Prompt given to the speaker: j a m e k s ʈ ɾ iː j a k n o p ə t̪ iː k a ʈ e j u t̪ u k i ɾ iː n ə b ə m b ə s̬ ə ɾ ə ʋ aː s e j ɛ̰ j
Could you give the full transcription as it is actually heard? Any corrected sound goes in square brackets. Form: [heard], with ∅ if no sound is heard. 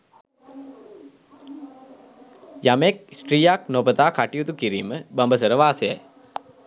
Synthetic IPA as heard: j a m e k s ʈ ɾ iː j a k n o p ə t̪ [aː] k a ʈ [i] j u t̪ u k i ɾ iː [m] ə b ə m b ə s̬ ə ɾ ə ʋ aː s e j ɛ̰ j